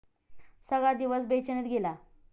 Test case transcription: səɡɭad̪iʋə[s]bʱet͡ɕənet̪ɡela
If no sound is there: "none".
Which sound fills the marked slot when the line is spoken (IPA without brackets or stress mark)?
s